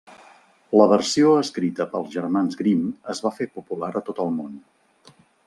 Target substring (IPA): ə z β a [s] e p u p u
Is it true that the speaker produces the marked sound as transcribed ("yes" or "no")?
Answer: no